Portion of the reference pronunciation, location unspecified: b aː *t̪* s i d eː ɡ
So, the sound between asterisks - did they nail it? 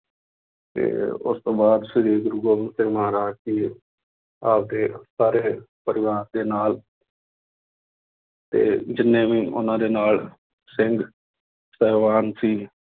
no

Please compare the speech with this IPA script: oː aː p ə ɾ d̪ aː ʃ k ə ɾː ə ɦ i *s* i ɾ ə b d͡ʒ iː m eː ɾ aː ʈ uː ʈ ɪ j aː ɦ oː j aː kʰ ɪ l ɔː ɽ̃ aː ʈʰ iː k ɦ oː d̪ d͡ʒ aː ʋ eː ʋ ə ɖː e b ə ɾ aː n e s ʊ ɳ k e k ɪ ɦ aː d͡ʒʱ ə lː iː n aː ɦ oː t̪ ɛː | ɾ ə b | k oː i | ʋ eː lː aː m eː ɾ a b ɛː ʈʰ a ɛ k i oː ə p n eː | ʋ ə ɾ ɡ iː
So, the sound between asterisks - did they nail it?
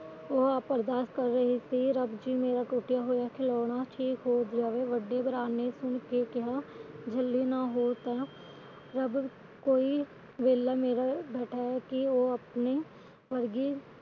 yes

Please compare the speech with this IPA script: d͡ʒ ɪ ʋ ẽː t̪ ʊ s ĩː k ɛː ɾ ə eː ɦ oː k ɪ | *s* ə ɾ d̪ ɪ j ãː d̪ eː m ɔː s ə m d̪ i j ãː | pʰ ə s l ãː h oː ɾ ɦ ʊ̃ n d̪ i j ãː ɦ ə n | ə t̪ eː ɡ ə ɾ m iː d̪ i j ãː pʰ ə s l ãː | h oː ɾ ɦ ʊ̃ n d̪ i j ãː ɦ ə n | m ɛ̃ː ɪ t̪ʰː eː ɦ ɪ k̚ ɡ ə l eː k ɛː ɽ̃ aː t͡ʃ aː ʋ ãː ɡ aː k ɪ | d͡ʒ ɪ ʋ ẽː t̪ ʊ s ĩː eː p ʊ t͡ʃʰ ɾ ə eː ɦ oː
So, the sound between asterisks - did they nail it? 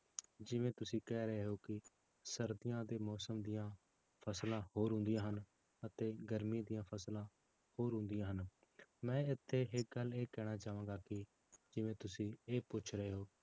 yes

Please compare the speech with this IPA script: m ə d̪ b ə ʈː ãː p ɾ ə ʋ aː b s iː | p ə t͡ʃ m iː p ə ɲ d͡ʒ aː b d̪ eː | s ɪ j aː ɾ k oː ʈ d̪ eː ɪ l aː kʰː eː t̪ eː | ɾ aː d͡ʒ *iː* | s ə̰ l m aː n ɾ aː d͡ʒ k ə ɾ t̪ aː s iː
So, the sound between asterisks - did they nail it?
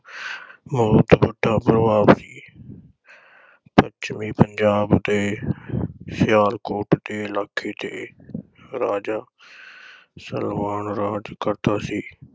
no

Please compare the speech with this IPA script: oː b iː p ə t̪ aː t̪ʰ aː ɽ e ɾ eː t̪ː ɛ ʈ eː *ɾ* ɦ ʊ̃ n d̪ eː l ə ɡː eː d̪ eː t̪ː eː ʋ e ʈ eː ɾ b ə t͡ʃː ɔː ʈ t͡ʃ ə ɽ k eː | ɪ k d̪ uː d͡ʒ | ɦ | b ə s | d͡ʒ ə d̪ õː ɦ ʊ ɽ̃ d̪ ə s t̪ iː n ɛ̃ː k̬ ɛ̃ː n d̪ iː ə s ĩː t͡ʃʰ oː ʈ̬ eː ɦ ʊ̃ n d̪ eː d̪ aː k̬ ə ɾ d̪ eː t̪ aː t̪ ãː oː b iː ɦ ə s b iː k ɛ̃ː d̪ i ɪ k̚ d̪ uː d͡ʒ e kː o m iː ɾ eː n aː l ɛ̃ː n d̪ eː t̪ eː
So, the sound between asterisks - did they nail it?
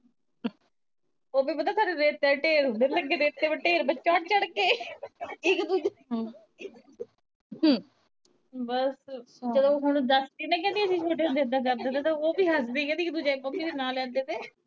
yes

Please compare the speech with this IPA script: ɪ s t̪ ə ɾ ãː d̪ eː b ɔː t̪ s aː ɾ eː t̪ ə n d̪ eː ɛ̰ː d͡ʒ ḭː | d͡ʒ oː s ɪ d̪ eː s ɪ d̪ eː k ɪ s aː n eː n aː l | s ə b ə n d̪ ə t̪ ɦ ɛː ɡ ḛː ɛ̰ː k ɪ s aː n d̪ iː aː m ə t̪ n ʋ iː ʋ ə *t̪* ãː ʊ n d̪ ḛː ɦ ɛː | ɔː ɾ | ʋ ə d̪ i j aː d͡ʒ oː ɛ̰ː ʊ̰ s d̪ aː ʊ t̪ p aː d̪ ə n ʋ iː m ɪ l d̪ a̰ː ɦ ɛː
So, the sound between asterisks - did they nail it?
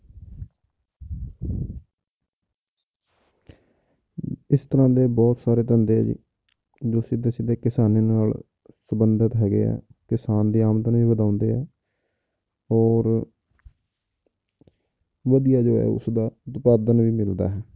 no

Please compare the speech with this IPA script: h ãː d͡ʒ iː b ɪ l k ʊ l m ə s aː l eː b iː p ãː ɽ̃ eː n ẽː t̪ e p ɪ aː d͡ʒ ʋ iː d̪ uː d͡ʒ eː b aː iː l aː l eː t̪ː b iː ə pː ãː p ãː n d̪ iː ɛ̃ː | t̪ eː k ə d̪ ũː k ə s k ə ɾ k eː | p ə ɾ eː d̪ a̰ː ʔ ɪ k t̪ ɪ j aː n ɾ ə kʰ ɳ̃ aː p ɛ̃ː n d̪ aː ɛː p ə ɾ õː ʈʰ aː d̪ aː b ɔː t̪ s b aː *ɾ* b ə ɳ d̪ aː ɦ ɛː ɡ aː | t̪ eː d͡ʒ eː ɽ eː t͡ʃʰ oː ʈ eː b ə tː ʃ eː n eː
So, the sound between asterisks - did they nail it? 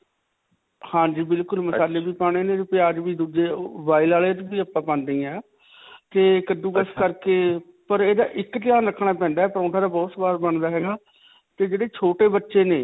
yes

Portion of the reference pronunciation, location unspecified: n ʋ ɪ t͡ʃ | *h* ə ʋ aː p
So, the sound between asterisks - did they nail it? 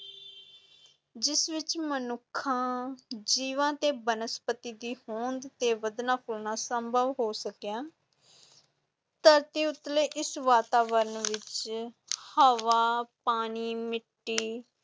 yes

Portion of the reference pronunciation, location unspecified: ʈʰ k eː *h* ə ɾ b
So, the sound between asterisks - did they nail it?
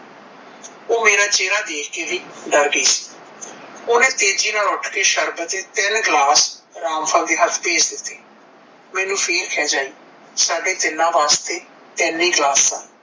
no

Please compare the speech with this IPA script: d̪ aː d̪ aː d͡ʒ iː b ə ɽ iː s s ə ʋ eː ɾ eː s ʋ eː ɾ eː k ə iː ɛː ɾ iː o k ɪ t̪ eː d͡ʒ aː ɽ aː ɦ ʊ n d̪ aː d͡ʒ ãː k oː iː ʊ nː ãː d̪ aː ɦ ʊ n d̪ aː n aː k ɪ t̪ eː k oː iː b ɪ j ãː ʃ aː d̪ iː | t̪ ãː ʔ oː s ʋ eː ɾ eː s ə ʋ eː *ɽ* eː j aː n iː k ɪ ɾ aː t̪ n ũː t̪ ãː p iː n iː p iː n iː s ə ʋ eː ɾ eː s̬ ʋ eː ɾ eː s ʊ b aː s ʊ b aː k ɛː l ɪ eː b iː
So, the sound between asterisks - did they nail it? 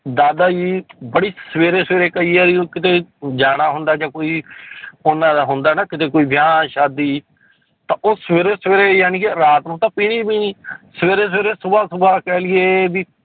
no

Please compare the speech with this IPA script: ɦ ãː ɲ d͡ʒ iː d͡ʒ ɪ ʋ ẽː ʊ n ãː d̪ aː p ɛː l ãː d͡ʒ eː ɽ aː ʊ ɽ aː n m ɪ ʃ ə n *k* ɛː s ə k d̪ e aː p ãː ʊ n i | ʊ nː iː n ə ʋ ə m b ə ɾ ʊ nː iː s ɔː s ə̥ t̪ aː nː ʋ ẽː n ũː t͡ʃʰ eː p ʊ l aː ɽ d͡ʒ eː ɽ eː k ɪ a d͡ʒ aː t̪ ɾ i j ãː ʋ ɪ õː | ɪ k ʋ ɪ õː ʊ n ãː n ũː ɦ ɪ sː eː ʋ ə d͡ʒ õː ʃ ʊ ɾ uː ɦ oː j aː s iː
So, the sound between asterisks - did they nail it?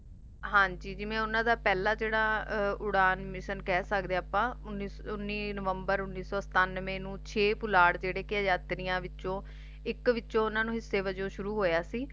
yes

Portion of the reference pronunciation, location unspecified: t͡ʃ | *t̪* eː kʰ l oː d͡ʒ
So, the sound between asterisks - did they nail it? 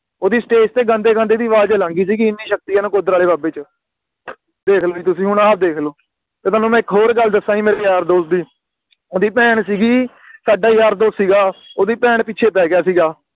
no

